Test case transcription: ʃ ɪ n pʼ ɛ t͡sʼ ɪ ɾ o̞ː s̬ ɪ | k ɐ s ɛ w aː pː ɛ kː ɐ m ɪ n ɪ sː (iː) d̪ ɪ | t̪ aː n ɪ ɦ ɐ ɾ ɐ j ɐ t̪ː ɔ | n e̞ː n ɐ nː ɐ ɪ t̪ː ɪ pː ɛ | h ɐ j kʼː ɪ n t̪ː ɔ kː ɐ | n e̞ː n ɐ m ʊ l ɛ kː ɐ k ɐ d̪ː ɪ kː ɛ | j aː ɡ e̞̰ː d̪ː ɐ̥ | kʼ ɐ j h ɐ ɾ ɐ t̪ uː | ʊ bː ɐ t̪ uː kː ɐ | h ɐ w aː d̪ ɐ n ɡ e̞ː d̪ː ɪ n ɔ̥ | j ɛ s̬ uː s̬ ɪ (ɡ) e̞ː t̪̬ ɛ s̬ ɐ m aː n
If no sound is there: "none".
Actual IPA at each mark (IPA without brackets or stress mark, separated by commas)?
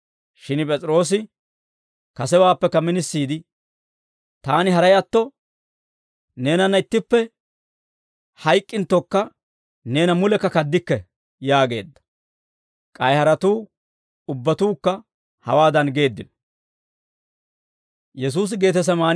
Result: iː, ɡ